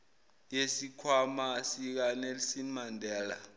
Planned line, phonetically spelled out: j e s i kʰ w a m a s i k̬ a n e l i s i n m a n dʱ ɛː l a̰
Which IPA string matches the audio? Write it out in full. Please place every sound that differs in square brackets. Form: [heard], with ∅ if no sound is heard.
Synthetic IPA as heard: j e s i kʰ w a m a s i k̬ a n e l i s i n m a n dʱ ɛː l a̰